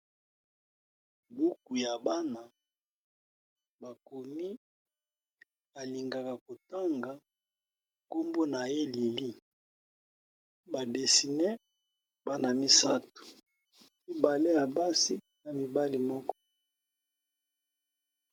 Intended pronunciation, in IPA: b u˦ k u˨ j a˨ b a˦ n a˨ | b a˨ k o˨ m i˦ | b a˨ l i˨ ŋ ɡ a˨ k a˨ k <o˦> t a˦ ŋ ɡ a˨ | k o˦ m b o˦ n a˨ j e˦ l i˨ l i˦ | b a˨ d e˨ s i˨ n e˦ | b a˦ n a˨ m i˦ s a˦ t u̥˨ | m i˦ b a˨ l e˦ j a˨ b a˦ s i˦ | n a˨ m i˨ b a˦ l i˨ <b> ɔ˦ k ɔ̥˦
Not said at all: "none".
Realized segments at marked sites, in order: o˨, m

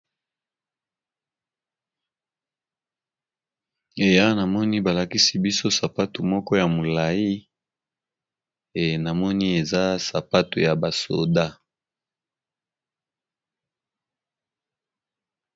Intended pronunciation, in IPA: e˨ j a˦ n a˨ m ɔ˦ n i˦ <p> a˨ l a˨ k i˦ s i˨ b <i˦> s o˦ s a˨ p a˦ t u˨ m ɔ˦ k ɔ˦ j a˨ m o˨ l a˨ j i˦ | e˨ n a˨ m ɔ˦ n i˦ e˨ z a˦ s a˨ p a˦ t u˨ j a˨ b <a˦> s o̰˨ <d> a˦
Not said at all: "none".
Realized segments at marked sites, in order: b, i˦, a˨, d

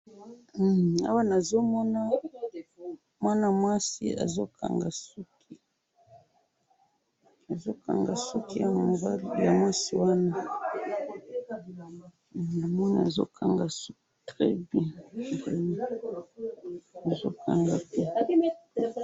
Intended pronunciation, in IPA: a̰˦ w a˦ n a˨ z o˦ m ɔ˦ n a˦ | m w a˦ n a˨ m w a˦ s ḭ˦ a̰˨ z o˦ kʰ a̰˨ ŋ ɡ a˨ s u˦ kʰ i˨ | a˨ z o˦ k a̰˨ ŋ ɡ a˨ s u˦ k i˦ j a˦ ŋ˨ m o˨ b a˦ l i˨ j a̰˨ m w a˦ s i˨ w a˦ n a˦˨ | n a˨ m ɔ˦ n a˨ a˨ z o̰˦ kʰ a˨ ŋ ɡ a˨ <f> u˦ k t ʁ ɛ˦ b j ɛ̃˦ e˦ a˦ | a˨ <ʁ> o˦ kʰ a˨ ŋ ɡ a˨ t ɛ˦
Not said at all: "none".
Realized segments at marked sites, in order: s, z

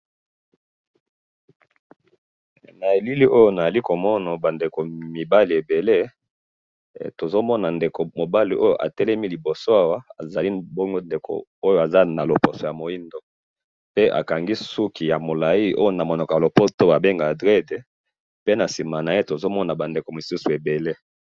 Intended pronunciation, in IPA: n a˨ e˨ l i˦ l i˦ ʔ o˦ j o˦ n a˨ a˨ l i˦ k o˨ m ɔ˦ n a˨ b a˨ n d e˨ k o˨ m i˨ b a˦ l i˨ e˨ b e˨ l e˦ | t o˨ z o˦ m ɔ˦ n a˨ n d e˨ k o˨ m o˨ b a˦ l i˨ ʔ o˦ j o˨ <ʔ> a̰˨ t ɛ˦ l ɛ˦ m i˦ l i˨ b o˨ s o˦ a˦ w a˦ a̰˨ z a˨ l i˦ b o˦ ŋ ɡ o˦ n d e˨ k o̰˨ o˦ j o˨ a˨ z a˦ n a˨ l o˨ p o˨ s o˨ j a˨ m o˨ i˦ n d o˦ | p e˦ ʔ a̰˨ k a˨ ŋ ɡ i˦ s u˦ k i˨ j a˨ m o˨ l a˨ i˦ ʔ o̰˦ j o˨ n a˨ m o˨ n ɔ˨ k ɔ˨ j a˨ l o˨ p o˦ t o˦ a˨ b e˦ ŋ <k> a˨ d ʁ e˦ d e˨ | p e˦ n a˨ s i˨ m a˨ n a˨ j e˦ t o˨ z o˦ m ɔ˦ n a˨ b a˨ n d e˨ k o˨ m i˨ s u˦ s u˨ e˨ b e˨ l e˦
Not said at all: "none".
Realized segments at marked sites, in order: ʔ, ɡ

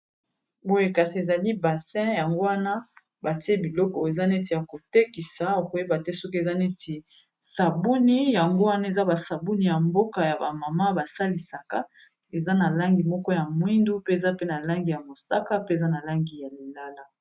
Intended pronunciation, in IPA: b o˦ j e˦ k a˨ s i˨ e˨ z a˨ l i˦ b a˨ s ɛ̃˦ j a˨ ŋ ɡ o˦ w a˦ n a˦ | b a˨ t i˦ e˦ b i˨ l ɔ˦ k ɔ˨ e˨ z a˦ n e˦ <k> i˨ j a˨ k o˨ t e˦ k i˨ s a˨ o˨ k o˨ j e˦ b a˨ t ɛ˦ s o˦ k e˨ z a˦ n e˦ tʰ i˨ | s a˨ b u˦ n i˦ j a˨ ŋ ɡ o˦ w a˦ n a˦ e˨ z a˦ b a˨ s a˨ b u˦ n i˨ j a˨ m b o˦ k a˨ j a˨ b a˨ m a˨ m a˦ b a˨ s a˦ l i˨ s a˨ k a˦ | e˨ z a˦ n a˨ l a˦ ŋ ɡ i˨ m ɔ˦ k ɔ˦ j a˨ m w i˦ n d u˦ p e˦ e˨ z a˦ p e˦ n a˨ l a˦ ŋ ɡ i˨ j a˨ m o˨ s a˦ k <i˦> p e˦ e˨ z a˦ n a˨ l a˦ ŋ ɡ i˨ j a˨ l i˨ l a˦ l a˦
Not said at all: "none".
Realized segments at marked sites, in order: t, a˦

